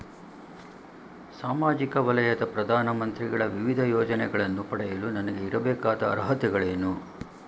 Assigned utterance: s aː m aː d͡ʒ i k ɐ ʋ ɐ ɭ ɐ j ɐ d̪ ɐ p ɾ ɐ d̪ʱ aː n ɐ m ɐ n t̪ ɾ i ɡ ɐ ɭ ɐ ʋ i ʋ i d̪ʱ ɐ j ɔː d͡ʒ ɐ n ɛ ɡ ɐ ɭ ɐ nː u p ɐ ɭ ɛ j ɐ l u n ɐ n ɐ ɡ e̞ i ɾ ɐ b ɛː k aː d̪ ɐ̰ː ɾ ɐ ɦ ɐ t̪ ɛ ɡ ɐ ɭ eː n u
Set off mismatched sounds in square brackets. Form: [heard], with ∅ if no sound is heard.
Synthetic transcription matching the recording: s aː m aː d͡ʒ i k ɐ ʋ ɐ [l] ɐ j ɐ d̪ ɐ p ɾ ɐ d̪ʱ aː n ɐ m ɐ n t̪ ɾ i ɡ ɐ ɭ ɐ ʋ i ʋ i d̪ʱ ɐ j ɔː d͡ʒ ɐ n ɛ ɡ ɐ ɭ ɐ nː u p ɐ [ɽ] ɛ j ɐ l u n ɐ n ɐ ɡ e̞ i ɾ ɐ b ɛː k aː d̪ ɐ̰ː ɾ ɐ ɦ ɐ t̪ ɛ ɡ ɐ ɭ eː n u